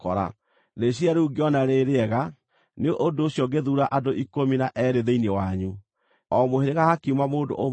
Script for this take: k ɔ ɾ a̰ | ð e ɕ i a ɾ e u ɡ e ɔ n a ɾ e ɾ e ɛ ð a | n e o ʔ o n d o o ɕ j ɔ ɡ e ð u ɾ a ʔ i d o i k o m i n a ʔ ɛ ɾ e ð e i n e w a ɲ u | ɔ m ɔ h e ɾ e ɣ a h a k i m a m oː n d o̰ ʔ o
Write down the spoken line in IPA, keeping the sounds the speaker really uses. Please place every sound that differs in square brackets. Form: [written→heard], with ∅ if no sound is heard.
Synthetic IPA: k ɔ ɾ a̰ | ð e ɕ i a ɾ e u ɡ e ɔ n a ɾ e ɾ e ɛ [ð→ɣ] a | n e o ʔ o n d o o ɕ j ɔ ɡ e ð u ɾ a ʔ [i→a] d o i k o m i n a ʔ ɛ ɾ e ð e i n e w a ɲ u | ɔ m [ɔ→o] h e ɾ e ɣ a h a k i m a m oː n d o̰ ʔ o